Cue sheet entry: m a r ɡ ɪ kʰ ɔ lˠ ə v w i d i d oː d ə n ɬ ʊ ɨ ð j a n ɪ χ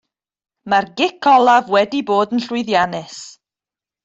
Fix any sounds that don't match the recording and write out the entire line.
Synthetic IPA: m a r ɡ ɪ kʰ ɔ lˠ a v w ɛ d i b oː d ə n ɬ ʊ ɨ ð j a n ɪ s